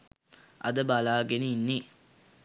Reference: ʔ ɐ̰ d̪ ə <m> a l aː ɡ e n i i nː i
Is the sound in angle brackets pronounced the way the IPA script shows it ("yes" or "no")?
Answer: no